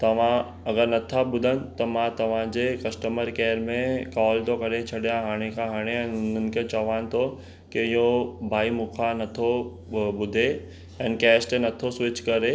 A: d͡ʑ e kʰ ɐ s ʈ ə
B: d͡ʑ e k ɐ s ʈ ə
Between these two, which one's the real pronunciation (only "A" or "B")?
B